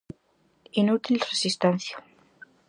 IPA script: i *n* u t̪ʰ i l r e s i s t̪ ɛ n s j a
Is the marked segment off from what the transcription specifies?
no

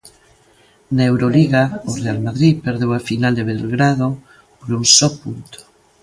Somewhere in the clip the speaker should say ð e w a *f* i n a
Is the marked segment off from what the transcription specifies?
no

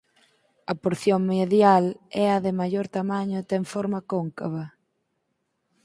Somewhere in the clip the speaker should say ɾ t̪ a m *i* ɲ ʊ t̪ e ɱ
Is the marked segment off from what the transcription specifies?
yes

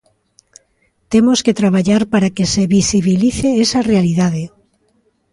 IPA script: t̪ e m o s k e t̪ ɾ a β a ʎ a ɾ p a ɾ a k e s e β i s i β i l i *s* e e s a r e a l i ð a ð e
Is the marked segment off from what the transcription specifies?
yes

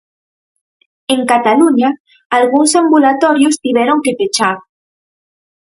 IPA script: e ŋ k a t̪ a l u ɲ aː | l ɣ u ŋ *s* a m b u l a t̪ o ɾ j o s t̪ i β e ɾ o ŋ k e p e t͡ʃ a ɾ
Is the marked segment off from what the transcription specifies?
no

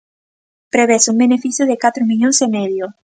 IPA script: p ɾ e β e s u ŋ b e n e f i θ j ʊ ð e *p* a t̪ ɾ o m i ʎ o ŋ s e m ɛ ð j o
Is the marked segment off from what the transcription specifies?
yes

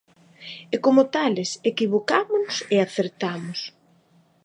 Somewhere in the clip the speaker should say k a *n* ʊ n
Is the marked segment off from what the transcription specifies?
yes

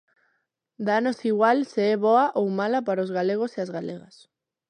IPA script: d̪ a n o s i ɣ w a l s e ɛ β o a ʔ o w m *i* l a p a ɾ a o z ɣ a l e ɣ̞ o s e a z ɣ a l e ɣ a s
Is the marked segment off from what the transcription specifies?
yes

